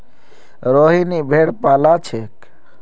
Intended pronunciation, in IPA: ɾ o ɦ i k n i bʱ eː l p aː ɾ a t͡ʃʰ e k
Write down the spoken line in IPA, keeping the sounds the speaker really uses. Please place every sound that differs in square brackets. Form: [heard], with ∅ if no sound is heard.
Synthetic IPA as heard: ɾ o ɦ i [∅] n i bʱ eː [ɽ] p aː [l] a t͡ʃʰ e k